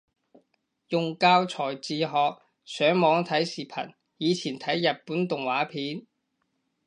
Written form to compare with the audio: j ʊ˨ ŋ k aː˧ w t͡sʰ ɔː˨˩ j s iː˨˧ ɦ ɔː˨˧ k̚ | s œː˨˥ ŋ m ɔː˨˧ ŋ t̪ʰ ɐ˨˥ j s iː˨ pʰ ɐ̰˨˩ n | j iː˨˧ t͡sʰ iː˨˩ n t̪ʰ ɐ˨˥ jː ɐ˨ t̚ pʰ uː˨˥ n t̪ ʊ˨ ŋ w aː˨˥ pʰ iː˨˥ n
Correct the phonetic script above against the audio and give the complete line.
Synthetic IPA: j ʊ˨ ŋ k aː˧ w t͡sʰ ɔː˨˩ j t͡s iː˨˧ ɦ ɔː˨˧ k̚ | s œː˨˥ ŋ m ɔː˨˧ ŋ t̪ʰ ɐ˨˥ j s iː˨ pʰ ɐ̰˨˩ n | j iː˨˧ t͡sʰ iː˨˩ n t̪ʰ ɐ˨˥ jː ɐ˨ t̚ p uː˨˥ n t̪ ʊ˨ ŋ w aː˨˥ pʰ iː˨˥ n

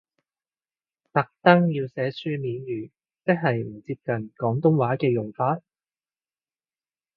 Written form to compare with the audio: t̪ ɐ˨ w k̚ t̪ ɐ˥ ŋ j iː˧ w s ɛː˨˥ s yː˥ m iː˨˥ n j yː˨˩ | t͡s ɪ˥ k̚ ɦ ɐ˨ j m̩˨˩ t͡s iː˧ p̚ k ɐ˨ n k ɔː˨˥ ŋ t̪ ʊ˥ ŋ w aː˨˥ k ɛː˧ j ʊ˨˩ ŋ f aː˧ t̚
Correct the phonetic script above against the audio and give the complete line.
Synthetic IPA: t̪ ɐ˨ k̚ t̪ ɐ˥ ŋ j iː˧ w s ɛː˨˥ s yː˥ m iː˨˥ n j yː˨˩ | t͡s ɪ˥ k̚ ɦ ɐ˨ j m̩˨˩ t͡s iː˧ p̚ k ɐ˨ n k ɔː˨˥ ŋ t̪ ʊ˥ ŋ w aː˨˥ k ɛː˧ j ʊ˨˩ ŋ f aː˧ t̚

